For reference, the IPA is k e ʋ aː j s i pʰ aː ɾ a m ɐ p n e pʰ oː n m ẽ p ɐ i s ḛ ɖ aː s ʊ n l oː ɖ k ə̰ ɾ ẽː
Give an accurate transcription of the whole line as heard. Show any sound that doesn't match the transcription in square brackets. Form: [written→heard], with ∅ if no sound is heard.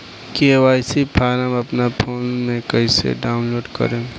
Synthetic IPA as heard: k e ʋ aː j s i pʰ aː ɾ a m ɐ p n [e→a] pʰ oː n m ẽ [p→k] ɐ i s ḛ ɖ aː [s→∅] ʊ n l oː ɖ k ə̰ ɾ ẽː